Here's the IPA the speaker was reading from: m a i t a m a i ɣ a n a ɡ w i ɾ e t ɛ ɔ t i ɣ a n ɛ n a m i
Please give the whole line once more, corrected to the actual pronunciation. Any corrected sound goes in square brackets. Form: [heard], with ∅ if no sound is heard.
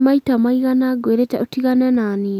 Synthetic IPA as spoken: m a i t a m a i ɣ a n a ɡ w [e] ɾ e t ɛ [o] t i ɣ a n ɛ n a [n] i